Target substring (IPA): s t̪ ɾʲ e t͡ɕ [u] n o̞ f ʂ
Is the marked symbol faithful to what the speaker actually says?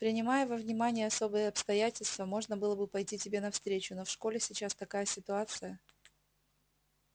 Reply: no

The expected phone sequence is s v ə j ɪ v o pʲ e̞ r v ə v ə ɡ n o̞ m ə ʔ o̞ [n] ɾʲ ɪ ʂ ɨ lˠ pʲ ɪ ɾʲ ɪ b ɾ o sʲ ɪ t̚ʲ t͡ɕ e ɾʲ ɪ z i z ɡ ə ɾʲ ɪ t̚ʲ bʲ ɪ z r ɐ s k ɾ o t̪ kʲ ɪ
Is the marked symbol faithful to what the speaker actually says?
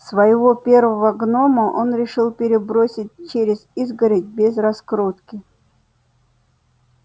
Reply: yes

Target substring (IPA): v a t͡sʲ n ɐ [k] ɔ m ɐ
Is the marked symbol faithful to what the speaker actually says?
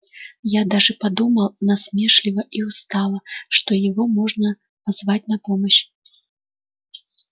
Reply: no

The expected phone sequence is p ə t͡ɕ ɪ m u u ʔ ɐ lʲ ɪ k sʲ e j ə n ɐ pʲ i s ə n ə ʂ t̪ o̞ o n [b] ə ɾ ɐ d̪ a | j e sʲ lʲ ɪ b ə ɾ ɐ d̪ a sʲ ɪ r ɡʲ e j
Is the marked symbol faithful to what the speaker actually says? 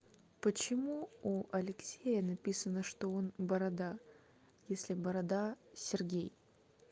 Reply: yes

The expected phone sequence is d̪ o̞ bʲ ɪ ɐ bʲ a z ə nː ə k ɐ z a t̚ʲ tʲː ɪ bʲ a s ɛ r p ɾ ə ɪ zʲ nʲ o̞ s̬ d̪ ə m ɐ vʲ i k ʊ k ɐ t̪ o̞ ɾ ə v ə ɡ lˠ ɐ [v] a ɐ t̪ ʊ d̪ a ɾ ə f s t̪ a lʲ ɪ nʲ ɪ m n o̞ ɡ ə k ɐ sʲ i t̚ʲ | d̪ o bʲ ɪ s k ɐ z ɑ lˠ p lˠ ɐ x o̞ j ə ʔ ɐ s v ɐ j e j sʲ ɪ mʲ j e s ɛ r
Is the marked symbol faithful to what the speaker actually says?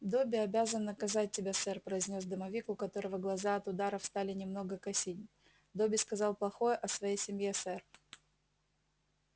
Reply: no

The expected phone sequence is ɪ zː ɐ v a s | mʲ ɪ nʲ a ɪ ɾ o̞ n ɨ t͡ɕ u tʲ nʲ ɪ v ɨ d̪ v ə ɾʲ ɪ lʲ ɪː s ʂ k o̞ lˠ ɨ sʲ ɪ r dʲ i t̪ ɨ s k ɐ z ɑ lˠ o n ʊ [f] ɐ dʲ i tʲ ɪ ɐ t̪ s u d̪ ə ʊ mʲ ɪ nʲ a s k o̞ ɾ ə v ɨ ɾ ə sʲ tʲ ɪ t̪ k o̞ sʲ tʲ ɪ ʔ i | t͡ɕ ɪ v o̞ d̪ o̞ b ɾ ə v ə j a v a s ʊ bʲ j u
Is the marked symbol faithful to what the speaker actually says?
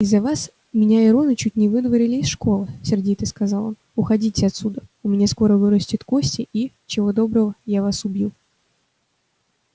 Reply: no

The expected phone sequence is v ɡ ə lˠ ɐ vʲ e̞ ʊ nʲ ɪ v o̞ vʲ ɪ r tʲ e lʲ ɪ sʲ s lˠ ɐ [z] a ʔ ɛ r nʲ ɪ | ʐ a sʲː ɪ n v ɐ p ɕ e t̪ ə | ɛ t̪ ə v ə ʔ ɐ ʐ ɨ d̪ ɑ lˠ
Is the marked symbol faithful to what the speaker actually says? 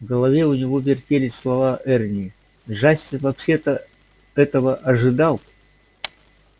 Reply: no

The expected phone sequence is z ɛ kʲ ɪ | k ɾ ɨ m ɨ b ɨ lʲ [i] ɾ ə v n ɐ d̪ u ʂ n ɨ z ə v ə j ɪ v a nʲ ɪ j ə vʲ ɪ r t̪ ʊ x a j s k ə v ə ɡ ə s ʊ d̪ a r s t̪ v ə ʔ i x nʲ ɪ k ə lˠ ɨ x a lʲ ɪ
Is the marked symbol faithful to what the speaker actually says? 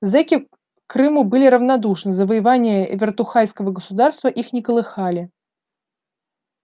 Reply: no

